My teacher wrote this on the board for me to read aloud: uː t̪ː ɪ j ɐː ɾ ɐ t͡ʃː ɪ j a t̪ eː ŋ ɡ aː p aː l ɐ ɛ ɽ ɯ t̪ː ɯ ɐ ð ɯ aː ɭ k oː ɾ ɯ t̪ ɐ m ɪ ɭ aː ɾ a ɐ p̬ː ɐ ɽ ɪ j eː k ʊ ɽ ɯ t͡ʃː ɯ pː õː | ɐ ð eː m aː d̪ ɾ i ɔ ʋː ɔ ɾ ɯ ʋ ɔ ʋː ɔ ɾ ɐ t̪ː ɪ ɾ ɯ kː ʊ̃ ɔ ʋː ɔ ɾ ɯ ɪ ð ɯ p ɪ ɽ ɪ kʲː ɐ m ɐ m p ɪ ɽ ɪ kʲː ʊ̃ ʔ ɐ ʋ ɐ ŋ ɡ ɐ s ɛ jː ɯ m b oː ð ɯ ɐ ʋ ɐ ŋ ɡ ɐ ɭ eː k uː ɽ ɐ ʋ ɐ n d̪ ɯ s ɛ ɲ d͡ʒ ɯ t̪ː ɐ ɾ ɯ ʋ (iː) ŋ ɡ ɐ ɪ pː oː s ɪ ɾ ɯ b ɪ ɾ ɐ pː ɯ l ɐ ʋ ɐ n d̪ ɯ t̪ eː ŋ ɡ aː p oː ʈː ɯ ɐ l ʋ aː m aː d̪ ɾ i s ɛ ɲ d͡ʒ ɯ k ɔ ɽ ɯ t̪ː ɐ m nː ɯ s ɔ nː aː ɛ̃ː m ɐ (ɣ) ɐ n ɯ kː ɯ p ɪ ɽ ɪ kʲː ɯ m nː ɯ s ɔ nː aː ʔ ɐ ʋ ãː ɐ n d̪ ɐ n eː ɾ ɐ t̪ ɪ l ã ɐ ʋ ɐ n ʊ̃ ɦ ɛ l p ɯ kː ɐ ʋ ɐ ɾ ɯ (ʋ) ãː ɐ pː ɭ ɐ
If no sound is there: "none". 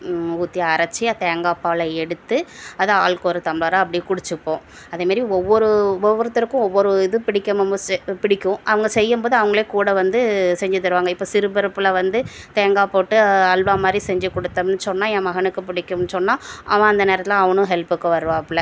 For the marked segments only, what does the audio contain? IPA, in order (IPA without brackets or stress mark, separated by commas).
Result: aː, ɣ, ʋ